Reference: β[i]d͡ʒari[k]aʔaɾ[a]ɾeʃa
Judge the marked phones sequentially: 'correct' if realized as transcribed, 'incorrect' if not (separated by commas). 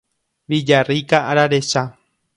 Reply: correct, correct, correct